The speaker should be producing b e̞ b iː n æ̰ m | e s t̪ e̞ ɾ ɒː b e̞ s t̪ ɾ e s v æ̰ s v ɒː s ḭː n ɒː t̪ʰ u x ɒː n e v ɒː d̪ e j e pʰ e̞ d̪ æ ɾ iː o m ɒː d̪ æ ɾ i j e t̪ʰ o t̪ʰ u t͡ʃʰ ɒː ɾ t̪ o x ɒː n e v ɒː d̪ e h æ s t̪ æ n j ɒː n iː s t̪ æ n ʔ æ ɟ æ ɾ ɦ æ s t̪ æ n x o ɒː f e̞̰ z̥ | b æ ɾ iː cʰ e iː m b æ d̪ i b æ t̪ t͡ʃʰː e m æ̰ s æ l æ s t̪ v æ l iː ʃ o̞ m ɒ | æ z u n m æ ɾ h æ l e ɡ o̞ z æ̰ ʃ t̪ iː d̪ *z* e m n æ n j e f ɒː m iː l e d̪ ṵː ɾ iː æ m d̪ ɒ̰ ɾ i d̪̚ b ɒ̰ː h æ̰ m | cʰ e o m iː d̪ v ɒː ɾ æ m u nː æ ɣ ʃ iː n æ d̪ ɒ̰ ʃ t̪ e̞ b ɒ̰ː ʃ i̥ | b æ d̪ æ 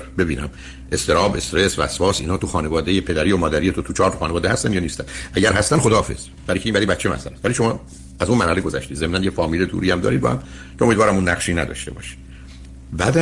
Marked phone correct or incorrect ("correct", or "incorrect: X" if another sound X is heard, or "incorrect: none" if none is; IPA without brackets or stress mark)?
correct